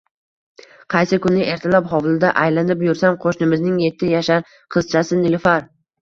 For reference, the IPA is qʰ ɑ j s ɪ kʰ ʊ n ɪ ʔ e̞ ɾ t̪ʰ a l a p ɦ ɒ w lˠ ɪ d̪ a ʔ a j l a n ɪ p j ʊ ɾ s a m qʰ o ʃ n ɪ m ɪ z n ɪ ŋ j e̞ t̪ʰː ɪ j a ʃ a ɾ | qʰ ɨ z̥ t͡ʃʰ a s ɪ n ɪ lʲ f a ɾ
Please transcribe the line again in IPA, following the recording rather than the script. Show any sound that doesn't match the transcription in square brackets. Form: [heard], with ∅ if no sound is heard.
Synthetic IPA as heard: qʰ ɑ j s ɪ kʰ ʊ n ɪ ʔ e̞ ɾ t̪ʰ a l a p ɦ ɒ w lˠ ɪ d̪ a ʔ a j l a n ɪ p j ʊ ɾ s a m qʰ o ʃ n ɪ m ɪ z n ɪ ŋ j e̞ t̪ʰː ɪ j a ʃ a ɾ | qʰ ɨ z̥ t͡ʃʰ a s ɪ n ɪ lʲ f a ɾ